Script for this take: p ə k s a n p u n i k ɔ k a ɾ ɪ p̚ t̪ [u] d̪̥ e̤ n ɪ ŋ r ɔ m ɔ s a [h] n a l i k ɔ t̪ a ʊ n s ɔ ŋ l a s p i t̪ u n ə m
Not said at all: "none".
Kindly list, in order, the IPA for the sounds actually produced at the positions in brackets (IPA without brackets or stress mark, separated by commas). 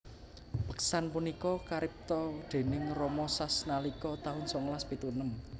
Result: ɔ, s